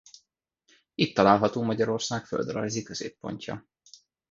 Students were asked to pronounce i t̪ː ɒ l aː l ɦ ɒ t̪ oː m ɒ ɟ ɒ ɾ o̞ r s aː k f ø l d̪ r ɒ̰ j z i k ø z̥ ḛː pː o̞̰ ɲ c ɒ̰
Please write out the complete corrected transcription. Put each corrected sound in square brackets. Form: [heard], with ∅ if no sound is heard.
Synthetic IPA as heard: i t̪ː ɒ l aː l ɦ ɒ t̪ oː m ɒ ɟ ɒ ɾ o̞ r s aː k f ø l d̪ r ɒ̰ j z i k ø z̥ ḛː pː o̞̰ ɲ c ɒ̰